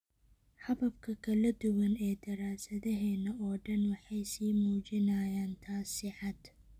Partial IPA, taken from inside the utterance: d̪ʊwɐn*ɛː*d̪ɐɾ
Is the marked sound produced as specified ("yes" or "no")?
yes